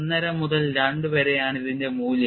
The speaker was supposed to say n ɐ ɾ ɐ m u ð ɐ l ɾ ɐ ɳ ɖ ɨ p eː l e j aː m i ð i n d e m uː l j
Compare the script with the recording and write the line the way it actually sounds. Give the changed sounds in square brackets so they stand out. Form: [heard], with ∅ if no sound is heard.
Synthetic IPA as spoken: [nː] ɐ ɾ ɐ m u ð ɐ l ɾ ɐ ɳ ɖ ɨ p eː [ɾ] e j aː [ɳ] i ð i n d e m uː l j